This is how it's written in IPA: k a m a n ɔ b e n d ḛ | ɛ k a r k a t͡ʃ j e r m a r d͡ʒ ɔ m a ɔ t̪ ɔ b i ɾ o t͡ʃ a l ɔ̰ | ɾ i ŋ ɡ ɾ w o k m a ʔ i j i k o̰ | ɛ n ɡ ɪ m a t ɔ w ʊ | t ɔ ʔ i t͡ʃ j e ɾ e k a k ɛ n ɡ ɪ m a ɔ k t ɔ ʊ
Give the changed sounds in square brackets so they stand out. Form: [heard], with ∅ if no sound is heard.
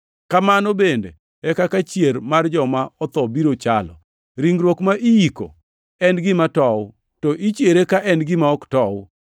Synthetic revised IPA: k a m a n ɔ b e n d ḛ | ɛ k a [∅] k a t͡ʃ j e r m a r d͡ʒ ɔ m a ɔ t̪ ɔ b i ɾ o t͡ʃ a l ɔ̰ | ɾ i ŋ ɡ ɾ w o k m a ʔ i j i k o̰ | ɛ n ɡ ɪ m a t ɔ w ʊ | t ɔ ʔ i t͡ʃ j e ɾ e k a [ʔ] ɛ n ɡ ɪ m a ɔ k t ɔ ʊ